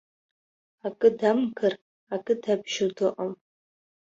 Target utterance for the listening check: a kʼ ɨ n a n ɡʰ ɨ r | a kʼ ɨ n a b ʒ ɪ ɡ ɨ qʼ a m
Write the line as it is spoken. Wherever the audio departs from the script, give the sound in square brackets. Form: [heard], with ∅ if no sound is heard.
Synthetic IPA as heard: a kʼ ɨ [d] a [m] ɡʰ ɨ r | a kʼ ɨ [d] a b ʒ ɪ [d] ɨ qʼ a m